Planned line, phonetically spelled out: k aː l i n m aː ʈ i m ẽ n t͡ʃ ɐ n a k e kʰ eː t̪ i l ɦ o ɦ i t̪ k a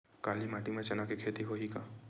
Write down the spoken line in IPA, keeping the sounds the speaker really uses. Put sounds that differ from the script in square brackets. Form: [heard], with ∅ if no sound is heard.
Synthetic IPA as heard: k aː l i [∅] m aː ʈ i m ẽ [∅] t͡ʃ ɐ n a k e kʰ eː t̪ i [∅] ɦ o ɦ i [∅] k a